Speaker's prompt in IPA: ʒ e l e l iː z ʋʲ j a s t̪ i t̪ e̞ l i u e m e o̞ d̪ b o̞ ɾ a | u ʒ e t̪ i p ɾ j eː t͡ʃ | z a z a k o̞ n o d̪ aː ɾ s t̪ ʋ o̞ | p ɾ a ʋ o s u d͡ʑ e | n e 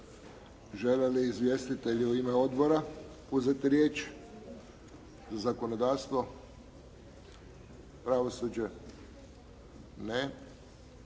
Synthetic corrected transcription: ʒ e l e l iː z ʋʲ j e s t̪ i t̪ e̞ ʎ i u i m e o̞ d̪ b o̞ ɾ a | u z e t̪ i ɾ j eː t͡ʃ | z a z a k o̞ n o d̪ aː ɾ s t̪ ʋ o̞ | p ɾ a ʋ o s u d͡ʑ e | n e